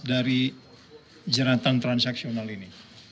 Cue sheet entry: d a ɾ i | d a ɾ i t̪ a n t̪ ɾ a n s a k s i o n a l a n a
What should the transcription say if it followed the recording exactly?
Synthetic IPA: d a ɾ i | d͡ʒ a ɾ a t̪ a n t̪ ɾ a n s a k s i o n a l i n i